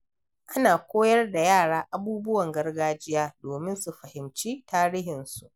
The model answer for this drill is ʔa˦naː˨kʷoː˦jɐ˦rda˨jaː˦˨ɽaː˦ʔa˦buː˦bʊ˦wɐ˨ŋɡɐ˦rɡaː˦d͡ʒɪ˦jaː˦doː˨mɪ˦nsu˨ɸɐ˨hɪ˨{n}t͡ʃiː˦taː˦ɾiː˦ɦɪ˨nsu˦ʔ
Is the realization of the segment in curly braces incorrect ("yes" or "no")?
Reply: yes